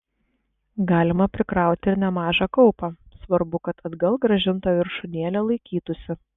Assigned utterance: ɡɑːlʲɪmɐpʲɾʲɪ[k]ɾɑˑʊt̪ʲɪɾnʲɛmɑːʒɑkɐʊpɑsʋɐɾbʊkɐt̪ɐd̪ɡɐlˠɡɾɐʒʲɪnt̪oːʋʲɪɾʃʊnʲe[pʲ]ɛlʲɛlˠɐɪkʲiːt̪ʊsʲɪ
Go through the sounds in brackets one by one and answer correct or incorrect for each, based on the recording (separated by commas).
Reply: correct, incorrect